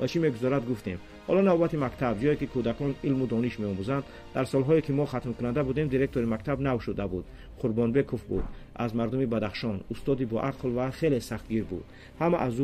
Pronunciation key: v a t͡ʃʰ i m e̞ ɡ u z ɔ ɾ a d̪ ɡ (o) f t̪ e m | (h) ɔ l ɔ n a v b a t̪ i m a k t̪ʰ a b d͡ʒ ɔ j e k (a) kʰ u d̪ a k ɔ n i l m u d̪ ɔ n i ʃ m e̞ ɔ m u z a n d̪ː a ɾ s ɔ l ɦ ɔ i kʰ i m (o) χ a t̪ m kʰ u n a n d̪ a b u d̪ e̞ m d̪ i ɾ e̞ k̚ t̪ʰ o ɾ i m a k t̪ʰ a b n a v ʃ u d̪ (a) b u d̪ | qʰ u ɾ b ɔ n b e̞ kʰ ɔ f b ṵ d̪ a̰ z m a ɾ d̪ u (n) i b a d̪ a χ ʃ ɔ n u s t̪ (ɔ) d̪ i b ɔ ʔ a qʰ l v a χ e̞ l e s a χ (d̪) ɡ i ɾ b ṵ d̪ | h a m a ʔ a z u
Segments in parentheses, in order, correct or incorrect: incorrect, correct, incorrect, incorrect, correct, incorrect, correct, incorrect

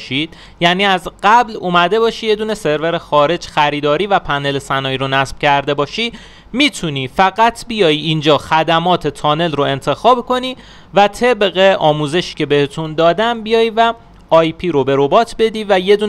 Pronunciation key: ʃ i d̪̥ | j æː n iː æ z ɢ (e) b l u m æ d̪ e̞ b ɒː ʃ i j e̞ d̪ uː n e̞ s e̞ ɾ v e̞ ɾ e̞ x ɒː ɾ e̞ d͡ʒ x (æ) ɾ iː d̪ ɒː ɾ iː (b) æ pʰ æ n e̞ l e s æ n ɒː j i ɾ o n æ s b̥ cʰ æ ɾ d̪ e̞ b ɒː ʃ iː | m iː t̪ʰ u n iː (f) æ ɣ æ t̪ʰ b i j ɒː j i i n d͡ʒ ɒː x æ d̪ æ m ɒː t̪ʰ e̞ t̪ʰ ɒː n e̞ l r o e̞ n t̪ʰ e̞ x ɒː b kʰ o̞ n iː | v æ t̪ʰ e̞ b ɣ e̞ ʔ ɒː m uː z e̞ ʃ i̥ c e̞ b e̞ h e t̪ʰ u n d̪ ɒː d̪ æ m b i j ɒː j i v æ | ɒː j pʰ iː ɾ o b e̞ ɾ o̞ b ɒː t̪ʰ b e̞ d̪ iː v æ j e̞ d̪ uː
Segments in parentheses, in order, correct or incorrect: incorrect, correct, incorrect, correct

